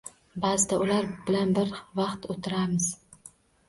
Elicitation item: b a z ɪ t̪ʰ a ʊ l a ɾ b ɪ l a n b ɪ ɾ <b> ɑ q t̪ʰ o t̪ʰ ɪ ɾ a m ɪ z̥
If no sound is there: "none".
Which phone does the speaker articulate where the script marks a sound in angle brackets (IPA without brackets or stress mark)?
v